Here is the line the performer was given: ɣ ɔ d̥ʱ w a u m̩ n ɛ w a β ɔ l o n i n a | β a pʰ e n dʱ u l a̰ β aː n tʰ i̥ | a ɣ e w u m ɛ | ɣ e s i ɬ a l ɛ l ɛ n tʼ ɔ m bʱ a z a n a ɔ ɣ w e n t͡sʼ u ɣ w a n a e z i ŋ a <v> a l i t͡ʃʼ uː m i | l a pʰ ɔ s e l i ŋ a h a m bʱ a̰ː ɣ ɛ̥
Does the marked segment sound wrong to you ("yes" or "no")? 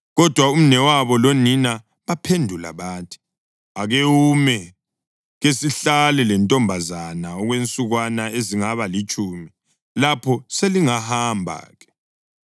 yes